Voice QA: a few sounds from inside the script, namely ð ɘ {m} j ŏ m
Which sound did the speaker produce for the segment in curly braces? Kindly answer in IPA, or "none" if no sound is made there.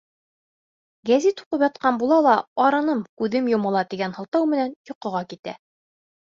m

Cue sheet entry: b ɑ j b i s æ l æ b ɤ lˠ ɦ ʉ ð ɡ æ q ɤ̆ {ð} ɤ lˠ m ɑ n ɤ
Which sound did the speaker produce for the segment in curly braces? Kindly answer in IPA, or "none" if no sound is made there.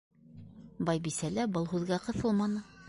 θ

